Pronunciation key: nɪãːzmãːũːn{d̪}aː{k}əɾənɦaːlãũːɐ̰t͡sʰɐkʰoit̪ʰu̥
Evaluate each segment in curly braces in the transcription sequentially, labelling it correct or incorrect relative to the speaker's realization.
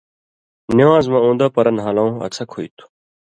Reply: correct, incorrect: p

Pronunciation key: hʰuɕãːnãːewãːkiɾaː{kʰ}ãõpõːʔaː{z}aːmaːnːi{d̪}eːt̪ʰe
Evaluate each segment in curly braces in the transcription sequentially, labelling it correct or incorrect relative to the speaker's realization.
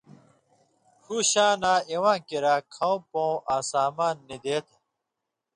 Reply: correct, incorrect: s, correct

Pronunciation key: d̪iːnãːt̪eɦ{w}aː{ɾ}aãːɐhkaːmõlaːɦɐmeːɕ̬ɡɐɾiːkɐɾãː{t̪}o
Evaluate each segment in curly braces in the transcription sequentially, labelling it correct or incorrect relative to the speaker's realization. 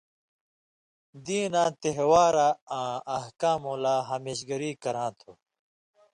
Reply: correct, correct, incorrect: t̪ʰ

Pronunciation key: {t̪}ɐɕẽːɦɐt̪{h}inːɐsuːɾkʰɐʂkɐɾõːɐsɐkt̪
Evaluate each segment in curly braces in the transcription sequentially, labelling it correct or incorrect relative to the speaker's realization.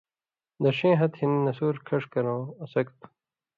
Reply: incorrect: d̪, correct

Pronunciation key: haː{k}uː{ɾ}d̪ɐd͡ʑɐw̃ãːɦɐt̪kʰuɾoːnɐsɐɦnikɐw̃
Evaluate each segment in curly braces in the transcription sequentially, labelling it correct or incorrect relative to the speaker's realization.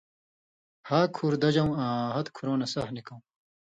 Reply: incorrect: kʰ, correct

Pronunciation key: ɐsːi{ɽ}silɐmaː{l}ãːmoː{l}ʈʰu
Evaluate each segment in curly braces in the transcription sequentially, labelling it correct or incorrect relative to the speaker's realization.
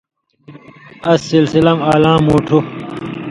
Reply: incorrect: l, correct, incorrect: none

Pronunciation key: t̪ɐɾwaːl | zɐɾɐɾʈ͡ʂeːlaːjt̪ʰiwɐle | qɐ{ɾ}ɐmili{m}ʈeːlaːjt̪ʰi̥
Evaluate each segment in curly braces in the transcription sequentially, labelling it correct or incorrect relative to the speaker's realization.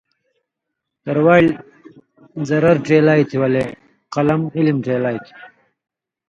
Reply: incorrect: l, correct

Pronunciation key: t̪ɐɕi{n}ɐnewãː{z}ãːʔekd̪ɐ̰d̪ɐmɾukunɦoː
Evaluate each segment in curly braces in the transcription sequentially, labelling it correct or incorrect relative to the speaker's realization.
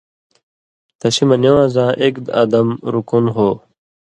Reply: incorrect: m, correct

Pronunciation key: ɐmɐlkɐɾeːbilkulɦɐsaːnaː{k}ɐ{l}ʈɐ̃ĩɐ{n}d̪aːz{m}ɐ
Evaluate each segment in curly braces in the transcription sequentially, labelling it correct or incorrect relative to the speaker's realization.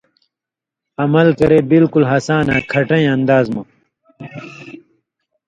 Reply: incorrect: kʰ, incorrect: none, correct, correct

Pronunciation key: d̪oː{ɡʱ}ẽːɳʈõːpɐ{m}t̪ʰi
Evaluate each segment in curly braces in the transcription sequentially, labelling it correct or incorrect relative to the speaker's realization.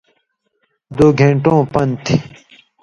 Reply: correct, incorrect: n

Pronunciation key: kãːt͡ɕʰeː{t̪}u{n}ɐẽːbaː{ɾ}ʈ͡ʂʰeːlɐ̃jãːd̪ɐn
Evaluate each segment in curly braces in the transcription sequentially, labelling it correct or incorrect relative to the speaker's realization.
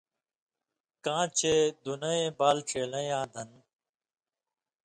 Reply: incorrect: d̪, correct, incorrect: l

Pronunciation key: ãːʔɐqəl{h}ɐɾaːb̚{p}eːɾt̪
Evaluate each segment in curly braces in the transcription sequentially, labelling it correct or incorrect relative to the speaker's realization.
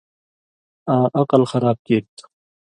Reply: incorrect: x, incorrect: k

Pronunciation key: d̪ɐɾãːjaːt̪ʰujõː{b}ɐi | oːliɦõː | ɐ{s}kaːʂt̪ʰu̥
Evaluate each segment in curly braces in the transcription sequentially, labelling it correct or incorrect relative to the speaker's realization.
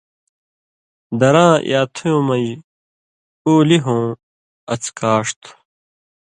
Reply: incorrect: m, incorrect: t͡s

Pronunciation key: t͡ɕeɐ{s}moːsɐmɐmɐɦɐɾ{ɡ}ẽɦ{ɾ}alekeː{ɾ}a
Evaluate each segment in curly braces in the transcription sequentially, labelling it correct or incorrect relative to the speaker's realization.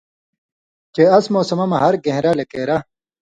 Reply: correct, correct, correct, correct

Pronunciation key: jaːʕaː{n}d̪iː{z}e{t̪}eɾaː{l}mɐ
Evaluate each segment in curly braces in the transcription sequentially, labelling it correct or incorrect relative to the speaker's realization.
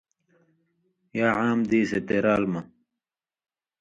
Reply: incorrect: m, incorrect: s, correct, correct

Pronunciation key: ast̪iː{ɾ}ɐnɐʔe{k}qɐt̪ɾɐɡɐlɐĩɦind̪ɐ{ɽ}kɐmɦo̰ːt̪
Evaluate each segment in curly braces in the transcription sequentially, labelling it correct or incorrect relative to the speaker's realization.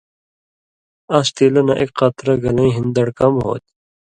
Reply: incorrect: l, correct, correct

